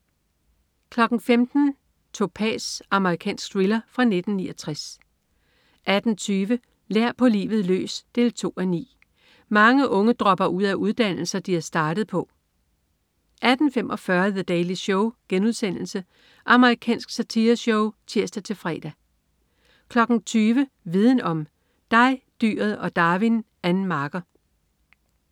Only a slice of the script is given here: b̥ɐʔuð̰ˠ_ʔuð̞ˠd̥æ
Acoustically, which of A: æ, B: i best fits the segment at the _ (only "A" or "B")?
A